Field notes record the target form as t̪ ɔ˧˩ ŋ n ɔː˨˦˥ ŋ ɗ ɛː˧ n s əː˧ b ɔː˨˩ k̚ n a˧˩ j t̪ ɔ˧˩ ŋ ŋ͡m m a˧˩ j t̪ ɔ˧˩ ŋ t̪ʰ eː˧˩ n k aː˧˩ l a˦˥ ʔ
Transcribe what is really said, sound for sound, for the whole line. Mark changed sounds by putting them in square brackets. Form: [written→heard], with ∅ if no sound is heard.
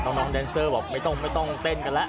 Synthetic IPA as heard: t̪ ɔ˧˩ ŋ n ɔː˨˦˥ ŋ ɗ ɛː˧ n s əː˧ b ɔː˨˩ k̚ [n→m] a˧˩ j t̪ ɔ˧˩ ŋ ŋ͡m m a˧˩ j t̪ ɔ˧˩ ŋ [t̪ʰ→t̪] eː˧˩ n k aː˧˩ l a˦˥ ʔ